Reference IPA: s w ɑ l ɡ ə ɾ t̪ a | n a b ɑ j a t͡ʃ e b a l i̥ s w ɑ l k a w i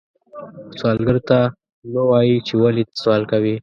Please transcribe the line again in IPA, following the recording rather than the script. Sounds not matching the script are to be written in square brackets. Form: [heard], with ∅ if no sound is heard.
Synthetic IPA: s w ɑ l ɡ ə ɾ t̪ a | n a [w] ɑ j [i] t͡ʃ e [w] a l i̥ s w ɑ l k a w i